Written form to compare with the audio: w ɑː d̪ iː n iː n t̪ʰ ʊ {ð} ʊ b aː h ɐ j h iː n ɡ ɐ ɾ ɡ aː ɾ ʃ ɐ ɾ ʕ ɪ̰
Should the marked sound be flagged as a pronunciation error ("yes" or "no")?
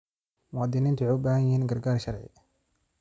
yes